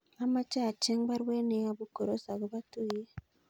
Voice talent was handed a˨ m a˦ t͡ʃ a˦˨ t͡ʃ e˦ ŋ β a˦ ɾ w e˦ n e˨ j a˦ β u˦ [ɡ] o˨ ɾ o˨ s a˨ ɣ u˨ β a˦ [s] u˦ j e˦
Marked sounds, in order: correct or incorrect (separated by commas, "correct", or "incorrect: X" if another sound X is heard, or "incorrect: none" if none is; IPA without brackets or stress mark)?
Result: incorrect: k, incorrect: t